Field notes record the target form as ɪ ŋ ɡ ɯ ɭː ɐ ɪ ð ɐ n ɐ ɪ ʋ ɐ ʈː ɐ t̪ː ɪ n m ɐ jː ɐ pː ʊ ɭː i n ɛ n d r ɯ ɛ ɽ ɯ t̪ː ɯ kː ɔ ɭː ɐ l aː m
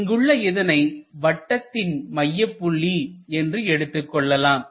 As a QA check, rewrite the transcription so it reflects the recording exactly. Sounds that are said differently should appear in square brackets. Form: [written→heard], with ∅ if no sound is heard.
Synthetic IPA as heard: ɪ ŋ ɡ ɯ ɭː ɐ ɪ ð ɐ n ɐ ɪ ʋ ɐ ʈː ɐ t̪ː ɪ n m ɐ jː ɐ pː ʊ ɭː i [n→∅] ɛ n d r ɯ ɛ ɽ ɯ t̪ː ɯ kː ɔ ɭː ɐ l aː m